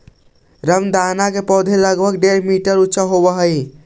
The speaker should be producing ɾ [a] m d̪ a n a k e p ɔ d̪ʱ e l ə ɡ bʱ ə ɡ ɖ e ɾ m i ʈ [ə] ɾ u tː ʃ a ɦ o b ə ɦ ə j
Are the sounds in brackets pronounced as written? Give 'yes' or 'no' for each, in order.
no, yes

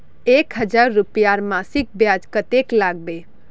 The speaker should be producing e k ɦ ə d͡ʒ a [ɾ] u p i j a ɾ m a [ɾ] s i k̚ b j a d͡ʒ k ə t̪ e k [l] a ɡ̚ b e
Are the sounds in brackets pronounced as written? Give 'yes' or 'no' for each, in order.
no, no, yes

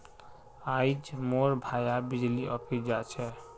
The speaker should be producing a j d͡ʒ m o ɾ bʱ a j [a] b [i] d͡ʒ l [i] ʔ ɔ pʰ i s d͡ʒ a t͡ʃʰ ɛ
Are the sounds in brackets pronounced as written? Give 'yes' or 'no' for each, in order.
yes, yes, yes

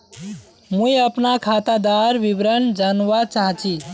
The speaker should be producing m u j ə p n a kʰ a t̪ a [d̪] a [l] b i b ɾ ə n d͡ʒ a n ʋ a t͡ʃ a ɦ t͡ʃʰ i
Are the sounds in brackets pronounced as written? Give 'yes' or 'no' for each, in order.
yes, no

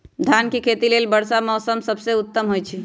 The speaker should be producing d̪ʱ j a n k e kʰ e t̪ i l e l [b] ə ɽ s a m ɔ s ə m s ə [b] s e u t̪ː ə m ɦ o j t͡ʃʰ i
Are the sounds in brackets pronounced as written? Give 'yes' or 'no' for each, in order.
yes, yes

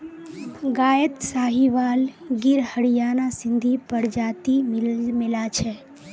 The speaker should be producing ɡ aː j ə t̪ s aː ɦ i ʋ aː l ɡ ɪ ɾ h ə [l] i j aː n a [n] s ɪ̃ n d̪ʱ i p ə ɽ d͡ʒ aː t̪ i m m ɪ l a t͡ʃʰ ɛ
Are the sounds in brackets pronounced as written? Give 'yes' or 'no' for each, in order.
no, no

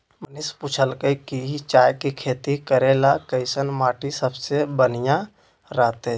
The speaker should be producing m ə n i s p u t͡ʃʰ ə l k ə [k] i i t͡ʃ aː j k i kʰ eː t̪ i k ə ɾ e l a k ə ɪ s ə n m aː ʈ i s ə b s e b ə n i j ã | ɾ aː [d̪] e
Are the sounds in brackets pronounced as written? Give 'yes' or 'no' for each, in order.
yes, no

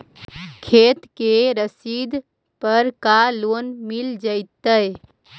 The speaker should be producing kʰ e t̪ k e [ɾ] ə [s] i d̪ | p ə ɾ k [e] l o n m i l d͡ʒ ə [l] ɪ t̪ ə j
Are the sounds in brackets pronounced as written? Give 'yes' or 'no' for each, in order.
yes, yes, no, no

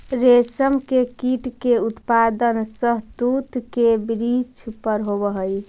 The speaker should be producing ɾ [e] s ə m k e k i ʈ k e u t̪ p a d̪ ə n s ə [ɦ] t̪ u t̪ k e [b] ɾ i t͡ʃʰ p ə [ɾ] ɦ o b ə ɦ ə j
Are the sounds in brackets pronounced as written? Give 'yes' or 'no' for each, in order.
yes, yes, yes, yes

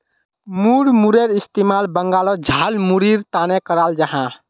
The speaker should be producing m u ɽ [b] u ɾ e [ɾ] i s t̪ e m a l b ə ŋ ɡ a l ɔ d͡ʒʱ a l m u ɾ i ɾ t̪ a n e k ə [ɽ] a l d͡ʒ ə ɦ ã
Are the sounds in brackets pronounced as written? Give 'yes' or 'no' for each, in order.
no, yes, no

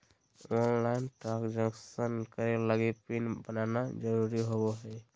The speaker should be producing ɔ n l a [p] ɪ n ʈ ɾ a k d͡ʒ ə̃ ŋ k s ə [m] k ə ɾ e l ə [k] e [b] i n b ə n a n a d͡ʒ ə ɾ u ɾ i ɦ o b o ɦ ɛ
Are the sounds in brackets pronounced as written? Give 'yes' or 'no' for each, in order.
no, no, no, no

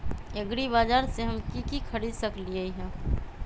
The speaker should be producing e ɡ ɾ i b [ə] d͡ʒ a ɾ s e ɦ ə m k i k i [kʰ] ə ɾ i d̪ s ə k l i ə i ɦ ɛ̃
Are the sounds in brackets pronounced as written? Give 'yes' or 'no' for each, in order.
no, yes

